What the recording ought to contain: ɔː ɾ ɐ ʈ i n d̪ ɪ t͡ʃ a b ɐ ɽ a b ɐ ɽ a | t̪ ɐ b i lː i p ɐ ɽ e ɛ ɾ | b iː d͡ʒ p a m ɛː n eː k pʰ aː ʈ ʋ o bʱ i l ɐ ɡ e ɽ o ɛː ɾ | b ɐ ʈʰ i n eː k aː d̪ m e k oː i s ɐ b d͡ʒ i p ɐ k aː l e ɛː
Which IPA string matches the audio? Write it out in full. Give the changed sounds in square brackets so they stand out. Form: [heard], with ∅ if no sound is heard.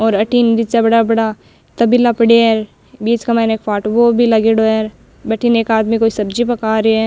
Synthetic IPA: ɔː ɾ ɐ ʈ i n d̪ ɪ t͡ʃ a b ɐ ɽ a b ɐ ɽ a | t̪ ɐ b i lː [a] p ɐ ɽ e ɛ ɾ | b iː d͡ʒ [k] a m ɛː n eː k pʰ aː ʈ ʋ o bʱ i l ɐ ɡ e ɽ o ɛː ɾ | b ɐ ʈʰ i n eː k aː d̪ m [i] k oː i s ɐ b d͡ʒ i p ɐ k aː [ɾ] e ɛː